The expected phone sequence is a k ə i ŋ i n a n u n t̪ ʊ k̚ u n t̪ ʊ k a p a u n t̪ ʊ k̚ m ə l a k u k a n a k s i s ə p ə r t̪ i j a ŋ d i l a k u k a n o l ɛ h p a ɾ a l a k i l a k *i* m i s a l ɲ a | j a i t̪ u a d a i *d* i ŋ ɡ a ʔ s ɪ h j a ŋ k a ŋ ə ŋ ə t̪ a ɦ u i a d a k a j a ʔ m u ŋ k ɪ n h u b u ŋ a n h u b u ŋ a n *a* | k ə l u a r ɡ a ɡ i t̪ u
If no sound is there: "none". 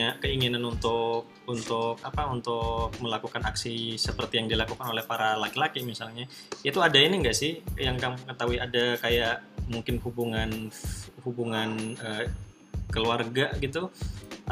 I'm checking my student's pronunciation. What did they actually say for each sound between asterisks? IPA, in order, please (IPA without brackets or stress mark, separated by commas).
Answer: i, n, ə